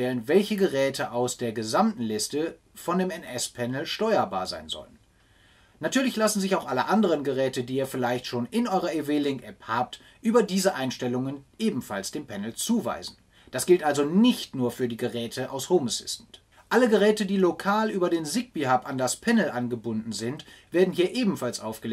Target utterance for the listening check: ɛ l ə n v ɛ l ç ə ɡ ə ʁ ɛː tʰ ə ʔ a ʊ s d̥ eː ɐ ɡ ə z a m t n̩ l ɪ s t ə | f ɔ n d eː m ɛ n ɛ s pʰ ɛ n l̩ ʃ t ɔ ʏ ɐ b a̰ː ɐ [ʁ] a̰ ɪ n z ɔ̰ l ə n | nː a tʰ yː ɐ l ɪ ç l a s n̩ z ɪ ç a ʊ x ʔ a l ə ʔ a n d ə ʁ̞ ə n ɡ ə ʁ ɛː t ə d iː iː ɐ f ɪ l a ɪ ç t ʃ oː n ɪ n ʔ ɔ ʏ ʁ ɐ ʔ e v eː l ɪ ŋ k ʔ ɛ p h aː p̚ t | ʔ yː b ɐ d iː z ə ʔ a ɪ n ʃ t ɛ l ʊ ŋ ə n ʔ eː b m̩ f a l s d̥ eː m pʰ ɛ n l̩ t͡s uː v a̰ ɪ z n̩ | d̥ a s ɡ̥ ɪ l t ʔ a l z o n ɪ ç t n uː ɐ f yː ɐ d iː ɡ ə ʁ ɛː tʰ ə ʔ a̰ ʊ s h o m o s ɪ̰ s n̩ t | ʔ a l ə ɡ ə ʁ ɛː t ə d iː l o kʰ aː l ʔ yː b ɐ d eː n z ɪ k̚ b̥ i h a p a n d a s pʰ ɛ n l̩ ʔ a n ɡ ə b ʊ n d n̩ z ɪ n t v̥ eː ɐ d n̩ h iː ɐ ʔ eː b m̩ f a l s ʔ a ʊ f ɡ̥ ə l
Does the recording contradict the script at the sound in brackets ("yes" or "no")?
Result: yes